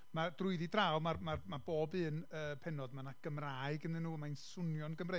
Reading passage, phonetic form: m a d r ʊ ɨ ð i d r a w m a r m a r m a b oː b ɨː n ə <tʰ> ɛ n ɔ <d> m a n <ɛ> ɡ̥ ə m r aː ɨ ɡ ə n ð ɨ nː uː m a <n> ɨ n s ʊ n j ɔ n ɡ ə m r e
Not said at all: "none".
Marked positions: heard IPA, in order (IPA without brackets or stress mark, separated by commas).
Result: pʰ, d, a, none